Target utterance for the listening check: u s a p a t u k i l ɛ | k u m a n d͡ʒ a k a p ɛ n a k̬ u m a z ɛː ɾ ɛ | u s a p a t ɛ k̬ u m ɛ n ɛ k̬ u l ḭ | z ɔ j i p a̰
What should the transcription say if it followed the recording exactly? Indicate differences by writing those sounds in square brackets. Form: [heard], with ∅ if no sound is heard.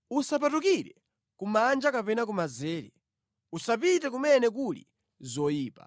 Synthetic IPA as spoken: u s a p a t u k i [ɾ] ɛ | k u m a n d͡ʒ a k a p ɛ n a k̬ u m a z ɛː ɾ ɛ | u s a p [i] t ɛ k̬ u m ɛ n ɛ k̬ u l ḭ | z ɔ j [iː] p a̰